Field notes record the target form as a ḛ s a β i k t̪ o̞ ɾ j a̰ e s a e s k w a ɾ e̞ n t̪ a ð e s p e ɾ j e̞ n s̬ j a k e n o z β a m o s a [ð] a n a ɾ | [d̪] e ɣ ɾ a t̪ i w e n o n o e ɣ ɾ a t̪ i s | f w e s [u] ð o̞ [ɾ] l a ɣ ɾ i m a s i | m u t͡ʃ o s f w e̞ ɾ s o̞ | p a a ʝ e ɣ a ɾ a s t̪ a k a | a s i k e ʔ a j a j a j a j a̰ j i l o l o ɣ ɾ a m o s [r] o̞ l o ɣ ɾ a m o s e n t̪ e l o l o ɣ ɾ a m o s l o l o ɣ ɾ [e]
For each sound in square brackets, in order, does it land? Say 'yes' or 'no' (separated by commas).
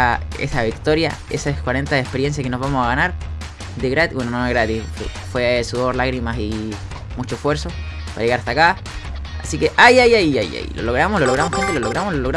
no, yes, yes, yes, no, no